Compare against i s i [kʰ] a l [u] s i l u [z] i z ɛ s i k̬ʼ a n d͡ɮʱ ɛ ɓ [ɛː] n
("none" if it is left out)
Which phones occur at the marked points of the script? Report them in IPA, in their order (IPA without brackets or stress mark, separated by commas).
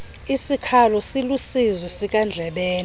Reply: kʰ, ɔ, s, ɛː